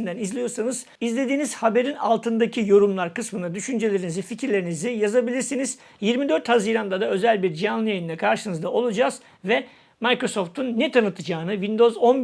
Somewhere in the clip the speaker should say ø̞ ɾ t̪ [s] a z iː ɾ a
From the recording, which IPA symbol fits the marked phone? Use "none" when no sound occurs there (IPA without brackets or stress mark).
h